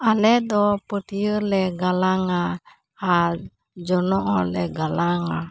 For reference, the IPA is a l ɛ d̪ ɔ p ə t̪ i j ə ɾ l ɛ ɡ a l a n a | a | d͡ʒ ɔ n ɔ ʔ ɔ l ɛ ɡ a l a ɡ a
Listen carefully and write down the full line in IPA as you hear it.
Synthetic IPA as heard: a l ɛ d̪ ɔ p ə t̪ i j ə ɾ l ɛ ɡ a l a ŋ a | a | d͡ʒ ɔ n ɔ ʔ ɔ l ɛ ɡ a l a ŋ a